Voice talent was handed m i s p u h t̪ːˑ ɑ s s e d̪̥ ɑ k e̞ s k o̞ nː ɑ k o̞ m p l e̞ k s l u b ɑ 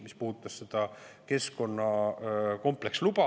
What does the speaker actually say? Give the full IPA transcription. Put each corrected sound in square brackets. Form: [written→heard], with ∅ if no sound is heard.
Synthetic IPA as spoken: m i s p u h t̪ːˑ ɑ s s e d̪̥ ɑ k e̞ s k o̞ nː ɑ k o̞ m p l e̞ k s l u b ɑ